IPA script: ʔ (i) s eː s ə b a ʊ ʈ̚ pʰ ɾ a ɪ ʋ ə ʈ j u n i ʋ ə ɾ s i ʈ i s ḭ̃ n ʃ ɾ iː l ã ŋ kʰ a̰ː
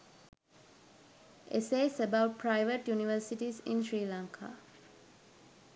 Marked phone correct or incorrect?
incorrect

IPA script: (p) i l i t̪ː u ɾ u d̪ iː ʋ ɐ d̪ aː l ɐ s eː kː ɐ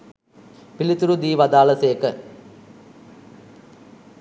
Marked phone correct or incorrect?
correct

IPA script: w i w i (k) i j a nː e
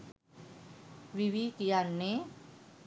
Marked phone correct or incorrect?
correct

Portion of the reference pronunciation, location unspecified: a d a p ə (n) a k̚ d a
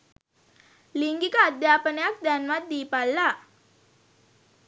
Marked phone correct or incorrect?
correct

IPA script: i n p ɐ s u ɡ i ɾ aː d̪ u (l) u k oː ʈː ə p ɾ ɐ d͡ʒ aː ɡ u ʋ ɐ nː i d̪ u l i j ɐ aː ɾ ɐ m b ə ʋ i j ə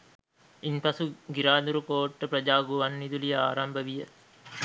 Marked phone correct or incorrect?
incorrect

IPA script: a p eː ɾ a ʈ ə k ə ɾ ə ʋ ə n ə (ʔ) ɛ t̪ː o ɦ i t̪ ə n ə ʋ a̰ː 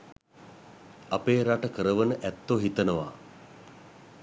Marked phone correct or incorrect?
correct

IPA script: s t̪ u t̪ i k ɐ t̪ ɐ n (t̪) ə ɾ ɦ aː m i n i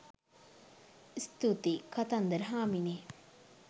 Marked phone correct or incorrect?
incorrect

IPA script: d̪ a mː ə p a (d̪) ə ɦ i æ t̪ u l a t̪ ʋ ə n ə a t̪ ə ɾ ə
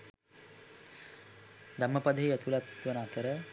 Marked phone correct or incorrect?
correct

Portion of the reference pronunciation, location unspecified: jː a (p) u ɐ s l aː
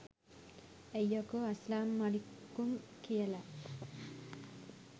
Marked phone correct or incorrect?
incorrect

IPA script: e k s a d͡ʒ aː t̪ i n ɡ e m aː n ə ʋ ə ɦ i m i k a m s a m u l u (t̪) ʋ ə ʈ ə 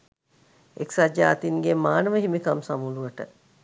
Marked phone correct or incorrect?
incorrect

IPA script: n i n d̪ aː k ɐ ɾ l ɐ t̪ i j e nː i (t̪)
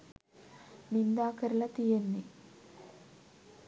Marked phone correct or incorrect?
incorrect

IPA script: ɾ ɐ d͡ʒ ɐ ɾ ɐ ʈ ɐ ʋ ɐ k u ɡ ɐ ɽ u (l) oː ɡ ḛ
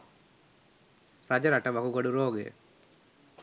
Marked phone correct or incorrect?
incorrect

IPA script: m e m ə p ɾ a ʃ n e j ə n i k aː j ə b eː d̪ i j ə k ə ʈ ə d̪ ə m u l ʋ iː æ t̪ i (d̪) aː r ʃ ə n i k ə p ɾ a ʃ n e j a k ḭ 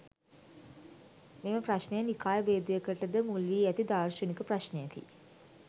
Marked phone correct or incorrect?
correct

